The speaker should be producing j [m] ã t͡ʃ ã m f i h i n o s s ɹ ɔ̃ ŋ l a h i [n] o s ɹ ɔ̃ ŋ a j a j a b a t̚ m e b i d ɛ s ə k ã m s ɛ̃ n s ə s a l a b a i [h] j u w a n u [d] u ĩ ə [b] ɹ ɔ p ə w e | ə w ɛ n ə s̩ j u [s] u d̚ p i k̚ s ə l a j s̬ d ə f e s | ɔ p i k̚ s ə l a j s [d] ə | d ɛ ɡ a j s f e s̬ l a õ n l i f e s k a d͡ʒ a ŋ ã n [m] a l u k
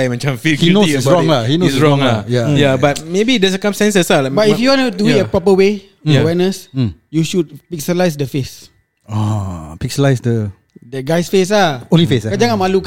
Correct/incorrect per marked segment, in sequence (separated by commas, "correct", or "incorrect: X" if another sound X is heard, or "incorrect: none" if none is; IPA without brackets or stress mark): correct, correct, incorrect: f, correct, incorrect: p, incorrect: ʃ, correct, correct